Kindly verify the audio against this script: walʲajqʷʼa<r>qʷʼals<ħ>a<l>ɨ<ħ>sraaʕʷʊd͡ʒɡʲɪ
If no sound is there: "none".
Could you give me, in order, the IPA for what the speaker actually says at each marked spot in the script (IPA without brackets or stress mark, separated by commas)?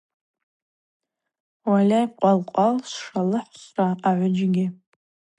l, ʂ, l, ħ